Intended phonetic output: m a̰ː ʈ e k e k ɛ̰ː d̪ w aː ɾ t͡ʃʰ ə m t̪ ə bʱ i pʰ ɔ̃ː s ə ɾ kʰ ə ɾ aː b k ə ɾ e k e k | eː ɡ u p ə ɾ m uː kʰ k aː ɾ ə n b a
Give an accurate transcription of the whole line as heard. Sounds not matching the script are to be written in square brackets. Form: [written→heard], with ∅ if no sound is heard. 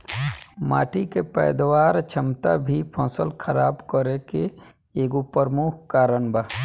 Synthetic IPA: m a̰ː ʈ [e→i] k e [k→p] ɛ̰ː d̪ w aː ɾ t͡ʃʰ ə m t̪ [ə→a] bʱ i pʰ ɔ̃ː s ə [ɾ→l] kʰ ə ɾ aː b k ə ɾ e k e [k→∅] | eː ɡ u p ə ɾ m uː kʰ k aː ɾ ə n b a